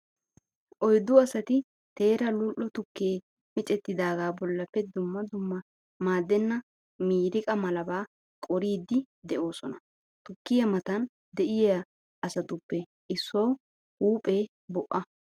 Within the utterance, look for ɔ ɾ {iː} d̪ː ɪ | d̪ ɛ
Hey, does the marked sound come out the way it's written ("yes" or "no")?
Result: yes